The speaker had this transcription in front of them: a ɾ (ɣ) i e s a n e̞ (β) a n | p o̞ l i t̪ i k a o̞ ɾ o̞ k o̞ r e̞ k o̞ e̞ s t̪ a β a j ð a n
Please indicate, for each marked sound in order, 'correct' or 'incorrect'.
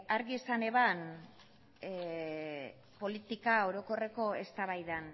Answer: correct, correct

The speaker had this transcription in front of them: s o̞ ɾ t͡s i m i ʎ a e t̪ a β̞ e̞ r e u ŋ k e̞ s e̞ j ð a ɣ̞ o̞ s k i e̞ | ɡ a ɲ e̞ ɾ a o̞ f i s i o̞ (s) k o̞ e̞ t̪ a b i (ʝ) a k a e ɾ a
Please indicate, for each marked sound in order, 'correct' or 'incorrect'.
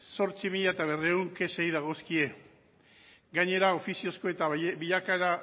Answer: correct, incorrect

